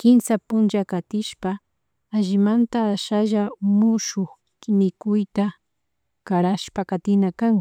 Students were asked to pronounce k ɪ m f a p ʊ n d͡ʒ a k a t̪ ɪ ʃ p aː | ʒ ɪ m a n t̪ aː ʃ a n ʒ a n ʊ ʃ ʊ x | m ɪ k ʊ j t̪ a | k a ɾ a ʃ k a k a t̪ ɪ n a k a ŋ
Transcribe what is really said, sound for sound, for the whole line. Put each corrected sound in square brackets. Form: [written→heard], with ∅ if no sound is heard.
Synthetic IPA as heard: k ɪ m [f→s] a p ʊ n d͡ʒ a k a t̪ ɪ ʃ p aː | ʒ ɪ m a n t̪ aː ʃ a [n→∅] ʒ a [n→m] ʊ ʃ ʊ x | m ɪ k ʊ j t̪ a | k a ɾ a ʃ [k→p] a k a t̪ ɪ n a k a ŋ